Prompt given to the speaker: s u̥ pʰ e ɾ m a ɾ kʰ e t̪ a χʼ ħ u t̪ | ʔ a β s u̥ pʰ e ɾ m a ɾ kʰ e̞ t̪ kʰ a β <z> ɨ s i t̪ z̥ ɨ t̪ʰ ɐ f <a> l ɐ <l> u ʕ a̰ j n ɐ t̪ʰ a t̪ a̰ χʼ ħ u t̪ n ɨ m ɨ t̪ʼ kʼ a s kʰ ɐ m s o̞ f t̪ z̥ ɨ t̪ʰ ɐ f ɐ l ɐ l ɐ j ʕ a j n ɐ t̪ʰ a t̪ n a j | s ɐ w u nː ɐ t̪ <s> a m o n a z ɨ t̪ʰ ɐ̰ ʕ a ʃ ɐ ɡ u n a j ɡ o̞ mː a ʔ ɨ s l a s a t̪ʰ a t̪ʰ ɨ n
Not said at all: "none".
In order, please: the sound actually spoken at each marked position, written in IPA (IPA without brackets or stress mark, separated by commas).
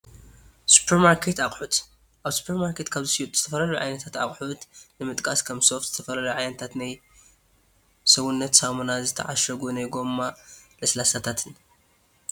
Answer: z, ɐ, l, s